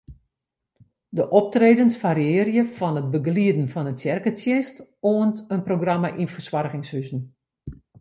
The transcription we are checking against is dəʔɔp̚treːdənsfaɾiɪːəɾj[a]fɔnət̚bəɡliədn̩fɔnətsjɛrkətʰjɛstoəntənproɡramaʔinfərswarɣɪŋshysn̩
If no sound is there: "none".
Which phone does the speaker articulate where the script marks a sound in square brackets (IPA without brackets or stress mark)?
ə